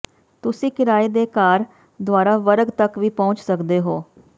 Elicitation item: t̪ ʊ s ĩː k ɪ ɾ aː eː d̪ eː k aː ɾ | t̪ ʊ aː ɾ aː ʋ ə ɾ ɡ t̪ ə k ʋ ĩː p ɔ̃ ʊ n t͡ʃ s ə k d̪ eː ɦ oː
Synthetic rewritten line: t̪ ʊ s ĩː k ɪ ɾ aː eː d̪ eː k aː ɾ | d̪ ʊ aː ɾ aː ʋ ə ɾ ɡ t̪ ə k ʋ iː p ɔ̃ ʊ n t͡ʃ s ə k d̪ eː ɦ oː